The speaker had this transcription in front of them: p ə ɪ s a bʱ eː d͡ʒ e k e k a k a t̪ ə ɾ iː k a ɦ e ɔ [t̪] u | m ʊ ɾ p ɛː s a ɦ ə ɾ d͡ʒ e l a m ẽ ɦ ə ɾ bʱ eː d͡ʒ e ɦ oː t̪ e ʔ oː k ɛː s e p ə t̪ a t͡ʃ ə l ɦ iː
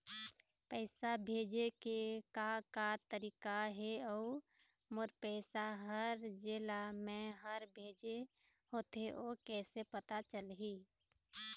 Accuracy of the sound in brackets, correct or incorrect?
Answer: incorrect